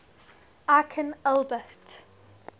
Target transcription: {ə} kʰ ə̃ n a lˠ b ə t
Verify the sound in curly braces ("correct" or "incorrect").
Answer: incorrect